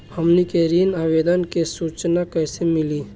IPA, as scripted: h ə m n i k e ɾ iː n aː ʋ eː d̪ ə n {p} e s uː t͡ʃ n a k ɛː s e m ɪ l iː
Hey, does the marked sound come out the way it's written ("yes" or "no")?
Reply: no